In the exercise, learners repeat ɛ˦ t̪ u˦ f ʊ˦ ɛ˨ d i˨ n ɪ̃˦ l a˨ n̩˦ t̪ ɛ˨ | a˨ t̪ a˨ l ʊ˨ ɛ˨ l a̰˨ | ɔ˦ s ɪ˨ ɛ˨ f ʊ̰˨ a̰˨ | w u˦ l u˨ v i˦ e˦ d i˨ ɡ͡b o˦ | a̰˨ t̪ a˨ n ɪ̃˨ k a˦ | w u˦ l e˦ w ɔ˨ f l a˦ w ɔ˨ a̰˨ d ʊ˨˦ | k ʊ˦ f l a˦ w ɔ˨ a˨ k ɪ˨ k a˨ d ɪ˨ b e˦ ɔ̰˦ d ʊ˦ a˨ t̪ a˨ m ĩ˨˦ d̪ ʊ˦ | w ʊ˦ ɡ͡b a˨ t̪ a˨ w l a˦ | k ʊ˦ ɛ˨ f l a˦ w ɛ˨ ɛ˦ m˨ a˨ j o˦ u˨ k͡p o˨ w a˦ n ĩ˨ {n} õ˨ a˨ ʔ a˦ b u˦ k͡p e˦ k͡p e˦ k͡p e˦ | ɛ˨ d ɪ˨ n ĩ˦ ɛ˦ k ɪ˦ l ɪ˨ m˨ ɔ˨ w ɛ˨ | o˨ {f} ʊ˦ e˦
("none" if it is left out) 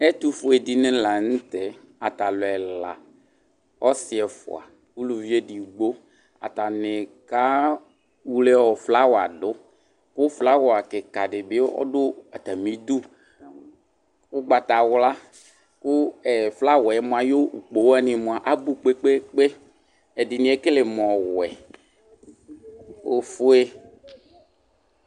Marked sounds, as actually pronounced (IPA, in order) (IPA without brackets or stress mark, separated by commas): m, f